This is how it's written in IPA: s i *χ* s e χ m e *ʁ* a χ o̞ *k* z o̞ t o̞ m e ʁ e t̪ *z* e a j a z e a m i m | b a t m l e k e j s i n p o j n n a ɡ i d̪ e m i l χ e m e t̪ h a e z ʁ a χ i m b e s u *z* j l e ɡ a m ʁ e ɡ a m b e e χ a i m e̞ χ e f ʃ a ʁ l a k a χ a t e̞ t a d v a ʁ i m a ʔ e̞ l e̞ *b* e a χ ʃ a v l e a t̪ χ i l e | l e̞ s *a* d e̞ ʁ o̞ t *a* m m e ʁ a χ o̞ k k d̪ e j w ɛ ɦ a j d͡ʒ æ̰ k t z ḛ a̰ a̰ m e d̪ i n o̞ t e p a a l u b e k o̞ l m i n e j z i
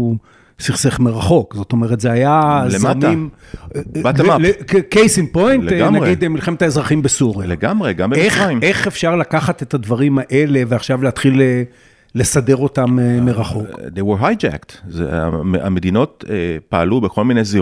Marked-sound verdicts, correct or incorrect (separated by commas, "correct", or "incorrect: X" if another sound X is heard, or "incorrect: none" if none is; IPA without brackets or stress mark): correct, correct, correct, correct, incorrect: ʁ, incorrect: v, correct, correct